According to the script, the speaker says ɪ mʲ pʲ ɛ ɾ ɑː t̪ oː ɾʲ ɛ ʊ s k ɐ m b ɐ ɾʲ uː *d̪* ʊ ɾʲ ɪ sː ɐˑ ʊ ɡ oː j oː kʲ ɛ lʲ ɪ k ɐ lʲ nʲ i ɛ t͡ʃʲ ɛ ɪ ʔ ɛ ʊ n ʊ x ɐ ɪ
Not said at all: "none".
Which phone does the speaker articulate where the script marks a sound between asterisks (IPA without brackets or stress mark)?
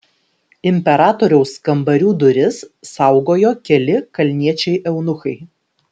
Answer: d̪